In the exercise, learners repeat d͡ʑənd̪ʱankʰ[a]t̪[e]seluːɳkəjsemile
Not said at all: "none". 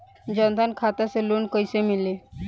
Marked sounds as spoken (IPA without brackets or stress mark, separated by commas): a, a